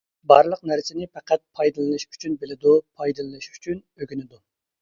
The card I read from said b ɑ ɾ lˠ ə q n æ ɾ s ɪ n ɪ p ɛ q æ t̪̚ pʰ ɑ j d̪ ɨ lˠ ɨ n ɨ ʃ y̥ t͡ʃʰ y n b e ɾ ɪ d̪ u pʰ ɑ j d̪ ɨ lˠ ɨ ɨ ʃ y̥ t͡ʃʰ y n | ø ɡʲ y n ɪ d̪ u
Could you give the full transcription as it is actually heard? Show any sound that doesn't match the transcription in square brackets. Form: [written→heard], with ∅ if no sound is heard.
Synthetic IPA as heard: b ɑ ɾ lˠ ə q n æ ɾ s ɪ n ɪ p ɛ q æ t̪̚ pʰ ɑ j d̪ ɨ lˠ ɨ n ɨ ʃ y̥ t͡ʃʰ y n b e [ɾ→l] ɪ d̪ u pʰ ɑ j d̪ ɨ lˠ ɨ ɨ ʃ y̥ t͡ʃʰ y n | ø ɡʲ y n ɪ d̪ u